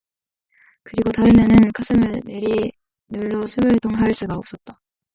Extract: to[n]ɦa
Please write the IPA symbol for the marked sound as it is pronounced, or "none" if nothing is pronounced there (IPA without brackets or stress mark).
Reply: ŋ